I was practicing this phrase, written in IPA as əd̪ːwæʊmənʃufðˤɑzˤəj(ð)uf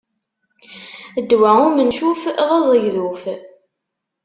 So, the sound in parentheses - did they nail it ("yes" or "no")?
yes